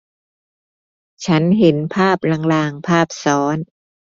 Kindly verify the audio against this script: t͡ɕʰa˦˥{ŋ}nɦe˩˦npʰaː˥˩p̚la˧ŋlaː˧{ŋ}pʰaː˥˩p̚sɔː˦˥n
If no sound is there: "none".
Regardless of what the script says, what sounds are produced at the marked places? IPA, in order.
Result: none, ŋ

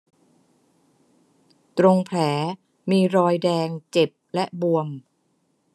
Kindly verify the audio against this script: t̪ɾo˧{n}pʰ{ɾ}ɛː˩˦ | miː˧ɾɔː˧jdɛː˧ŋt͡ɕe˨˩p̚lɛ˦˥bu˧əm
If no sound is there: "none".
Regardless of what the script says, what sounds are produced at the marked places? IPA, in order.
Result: ŋ, l

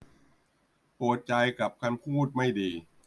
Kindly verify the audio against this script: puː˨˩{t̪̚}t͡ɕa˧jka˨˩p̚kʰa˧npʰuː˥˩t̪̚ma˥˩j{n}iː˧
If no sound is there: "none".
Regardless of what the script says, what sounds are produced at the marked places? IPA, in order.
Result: t̪̚, d

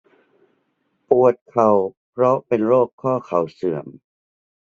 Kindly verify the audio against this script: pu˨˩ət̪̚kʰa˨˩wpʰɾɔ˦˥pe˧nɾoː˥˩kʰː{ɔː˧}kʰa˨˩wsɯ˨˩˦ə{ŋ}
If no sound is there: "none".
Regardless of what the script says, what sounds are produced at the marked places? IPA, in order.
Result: ɔː˥˩, m

